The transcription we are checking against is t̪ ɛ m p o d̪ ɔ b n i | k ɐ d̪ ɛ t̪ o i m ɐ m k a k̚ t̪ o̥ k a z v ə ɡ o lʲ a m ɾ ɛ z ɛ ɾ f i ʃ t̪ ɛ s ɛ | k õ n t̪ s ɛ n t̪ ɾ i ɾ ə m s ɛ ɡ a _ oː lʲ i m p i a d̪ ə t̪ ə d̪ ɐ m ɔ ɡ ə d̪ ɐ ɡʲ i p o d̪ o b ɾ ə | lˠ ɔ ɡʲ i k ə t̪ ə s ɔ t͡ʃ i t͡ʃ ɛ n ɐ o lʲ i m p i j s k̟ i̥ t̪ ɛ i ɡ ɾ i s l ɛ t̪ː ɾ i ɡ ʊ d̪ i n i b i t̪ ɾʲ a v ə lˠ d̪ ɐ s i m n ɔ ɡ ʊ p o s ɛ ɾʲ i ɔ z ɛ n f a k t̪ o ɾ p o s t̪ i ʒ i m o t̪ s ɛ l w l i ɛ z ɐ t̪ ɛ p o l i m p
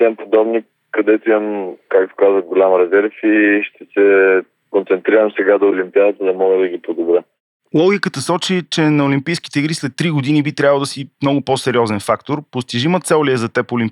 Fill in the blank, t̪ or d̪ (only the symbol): d̪